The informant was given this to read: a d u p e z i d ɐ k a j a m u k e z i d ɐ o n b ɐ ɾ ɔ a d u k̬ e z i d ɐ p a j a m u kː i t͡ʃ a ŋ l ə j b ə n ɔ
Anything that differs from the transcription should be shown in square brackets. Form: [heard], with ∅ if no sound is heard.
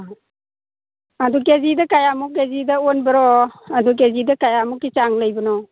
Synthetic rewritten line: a d u [k] e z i d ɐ k a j a m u k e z i d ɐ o n b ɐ ɾ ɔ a d u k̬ e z i d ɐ [k] a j a m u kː i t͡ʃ a ŋ l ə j b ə n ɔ